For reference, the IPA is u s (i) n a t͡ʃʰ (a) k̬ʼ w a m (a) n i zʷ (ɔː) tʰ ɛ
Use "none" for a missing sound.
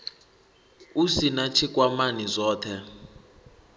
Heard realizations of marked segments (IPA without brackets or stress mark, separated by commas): i, i, a, ɔː